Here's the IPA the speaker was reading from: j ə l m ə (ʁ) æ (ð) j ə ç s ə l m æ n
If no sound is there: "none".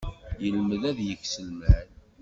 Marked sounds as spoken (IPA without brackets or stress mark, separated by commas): ð, ð